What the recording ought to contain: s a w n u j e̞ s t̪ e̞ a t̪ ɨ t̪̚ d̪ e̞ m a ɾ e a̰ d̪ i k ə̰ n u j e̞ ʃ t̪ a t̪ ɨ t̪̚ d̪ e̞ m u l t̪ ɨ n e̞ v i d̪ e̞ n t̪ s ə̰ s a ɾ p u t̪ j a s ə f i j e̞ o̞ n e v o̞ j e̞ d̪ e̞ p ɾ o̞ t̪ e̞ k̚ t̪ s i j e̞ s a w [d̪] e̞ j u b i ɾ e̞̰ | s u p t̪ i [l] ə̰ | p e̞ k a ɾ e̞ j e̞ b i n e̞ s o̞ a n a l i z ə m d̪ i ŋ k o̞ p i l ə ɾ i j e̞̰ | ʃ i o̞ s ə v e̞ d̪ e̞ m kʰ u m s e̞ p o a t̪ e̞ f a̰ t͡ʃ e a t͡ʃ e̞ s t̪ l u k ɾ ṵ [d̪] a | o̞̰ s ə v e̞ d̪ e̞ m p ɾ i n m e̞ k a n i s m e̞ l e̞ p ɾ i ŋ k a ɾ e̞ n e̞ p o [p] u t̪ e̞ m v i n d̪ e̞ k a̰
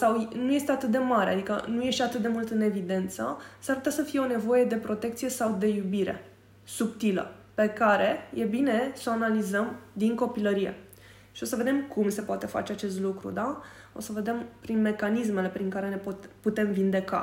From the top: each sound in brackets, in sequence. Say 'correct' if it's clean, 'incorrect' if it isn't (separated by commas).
correct, correct, correct, correct